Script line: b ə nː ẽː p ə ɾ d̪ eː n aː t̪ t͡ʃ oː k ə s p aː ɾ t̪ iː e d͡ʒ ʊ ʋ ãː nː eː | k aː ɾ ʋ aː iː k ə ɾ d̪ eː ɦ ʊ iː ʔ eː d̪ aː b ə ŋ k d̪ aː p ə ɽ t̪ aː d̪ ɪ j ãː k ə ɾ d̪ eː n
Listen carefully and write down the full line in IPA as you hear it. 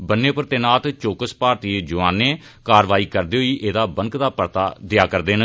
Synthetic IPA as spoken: b ə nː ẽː p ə ɾ t̪ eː n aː t̪ t͡ʃ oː k ə s p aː ɾ t̪ iː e d͡ʒ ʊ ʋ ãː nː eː | k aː ɾ ʋ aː iː k ə ɾ d̪ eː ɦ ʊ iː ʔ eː d̪ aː b ə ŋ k d̪ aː p ə ɾ t̪ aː d̪ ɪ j aː k ə ɾ d̪ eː n